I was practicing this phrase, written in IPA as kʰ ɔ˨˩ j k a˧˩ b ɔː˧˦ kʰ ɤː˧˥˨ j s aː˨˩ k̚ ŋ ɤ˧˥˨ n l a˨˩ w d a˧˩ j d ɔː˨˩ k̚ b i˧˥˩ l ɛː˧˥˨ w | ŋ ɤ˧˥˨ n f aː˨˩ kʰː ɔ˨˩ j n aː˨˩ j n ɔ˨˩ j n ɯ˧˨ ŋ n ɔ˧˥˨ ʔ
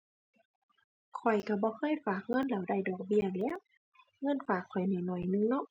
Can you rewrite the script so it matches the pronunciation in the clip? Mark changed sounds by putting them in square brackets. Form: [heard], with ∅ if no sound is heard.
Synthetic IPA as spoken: kʰ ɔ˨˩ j k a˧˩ b ɔː˧˦ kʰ ɤː˧˥˨ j [f] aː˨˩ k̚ ŋ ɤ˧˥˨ n l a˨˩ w d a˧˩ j d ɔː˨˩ k̚ b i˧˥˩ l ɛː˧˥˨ w | ŋ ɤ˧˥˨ n f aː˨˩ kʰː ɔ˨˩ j n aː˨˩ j n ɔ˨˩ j n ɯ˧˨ ŋ n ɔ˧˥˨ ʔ

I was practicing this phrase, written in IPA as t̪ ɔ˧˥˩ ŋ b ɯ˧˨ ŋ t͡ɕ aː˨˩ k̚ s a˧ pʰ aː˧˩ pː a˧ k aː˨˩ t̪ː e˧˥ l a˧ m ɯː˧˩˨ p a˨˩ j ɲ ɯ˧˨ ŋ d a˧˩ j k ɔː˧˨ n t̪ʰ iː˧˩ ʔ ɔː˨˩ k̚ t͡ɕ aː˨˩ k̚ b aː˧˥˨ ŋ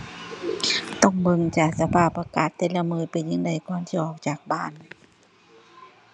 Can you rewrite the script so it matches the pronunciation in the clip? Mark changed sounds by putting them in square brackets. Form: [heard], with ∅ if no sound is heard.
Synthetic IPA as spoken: t̪ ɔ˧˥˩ ŋ b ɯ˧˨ ŋ t͡ɕ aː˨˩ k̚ s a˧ pʰ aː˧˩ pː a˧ k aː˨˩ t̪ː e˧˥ l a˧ m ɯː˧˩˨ p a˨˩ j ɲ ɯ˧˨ ŋ d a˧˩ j k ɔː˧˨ n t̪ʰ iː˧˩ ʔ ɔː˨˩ k̚ t͡ɕ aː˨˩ k̚ b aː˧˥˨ [n]

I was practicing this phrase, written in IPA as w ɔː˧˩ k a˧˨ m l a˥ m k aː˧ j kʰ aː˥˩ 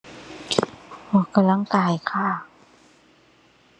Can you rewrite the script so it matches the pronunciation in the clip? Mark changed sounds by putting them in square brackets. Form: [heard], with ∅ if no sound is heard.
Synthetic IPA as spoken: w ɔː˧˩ k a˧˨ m l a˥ [ŋ] k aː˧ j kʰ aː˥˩

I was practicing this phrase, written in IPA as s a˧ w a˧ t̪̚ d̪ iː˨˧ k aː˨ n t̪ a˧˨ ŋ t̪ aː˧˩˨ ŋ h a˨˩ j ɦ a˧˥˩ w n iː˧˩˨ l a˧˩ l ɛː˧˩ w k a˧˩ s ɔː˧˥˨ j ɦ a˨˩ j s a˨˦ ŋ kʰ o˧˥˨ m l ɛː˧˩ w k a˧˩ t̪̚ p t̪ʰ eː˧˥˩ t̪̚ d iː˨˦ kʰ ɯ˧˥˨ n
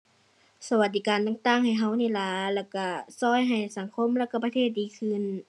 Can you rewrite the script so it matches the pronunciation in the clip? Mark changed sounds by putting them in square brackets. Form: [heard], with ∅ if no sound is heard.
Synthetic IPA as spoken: s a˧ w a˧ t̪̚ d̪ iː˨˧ k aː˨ n t̪ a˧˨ ŋ t̪ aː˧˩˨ ŋ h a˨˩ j ɦ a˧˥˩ w n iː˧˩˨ l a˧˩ l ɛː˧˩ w k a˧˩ s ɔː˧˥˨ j ɦ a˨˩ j s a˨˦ ŋ kʰ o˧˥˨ m l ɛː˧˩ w k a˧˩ [∅] p t̪ʰ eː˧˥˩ t̪̚ d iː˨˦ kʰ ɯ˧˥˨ n

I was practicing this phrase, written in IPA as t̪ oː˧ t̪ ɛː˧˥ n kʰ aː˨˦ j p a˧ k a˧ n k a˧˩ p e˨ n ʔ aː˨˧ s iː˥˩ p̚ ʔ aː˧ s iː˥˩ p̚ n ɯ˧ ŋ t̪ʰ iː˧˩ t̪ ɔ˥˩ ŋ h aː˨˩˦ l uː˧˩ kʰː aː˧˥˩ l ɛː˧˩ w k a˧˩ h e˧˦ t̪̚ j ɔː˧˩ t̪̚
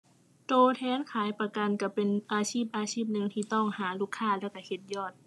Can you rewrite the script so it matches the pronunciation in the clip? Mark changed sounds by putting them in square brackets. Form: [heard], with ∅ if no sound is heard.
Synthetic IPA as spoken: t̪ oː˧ [t̪ʰ] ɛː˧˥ n kʰ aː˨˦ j p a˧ k a˧ n k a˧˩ p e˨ n ʔ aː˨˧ s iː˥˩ p̚ ʔ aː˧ s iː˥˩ p̚ n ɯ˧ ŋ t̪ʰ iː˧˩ t̪ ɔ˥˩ ŋ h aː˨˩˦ l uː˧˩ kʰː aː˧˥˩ l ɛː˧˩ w k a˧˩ h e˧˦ t̪̚ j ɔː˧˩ t̪̚

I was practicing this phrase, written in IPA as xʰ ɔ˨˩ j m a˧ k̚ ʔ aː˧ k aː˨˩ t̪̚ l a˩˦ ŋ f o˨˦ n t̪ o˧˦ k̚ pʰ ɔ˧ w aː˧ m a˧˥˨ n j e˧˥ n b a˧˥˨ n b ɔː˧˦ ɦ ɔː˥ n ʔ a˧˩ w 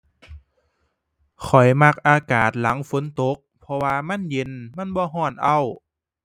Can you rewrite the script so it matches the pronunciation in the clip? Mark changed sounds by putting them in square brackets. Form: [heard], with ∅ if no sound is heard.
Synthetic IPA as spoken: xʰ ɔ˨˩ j m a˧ k̚ ʔ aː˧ k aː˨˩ t̪̚ l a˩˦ ŋ f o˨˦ n t̪ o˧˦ k̚ pʰ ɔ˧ w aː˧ m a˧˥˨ n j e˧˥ n [m] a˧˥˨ n b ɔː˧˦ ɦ [ɔː˧˩] n ʔ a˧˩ w

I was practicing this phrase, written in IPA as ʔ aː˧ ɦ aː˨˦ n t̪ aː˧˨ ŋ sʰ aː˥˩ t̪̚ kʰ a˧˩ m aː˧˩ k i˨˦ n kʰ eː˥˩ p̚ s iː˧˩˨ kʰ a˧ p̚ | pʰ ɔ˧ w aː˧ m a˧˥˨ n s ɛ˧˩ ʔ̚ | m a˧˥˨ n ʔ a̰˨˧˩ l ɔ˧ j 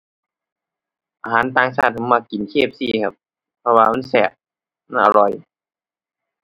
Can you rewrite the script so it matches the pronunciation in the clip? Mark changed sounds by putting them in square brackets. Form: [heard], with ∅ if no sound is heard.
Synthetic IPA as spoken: ʔ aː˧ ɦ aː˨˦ n t̪ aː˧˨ ŋ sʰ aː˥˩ t̪̚ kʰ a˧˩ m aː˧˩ k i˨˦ n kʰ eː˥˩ p̚ s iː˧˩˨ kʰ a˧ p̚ | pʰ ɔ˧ w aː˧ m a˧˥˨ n s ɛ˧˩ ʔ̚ | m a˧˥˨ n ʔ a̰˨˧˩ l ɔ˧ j

